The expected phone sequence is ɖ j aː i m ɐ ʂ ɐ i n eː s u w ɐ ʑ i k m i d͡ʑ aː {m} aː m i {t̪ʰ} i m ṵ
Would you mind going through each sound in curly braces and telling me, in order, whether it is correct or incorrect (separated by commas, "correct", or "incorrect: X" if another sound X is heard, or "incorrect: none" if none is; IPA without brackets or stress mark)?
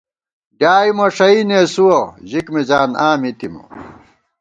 incorrect: n, incorrect: t̪